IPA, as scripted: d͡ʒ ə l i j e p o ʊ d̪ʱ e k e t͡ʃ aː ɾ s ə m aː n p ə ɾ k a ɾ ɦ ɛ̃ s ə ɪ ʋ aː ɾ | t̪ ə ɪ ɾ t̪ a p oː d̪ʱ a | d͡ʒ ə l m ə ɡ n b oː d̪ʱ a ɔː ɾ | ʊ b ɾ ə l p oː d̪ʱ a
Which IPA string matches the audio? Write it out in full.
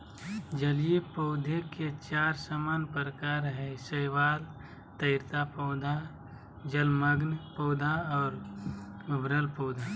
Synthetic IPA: d͡ʒ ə l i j e p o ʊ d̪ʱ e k e t͡ʃ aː ɾ s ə m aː n p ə ɾ k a ɾ ɦ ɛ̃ s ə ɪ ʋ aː l | t̪ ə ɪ ɾ t̪ a p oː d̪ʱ a | d͡ʒ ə l m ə ɡ n p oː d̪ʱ a ɔː ɾ | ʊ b ɾ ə l p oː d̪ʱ a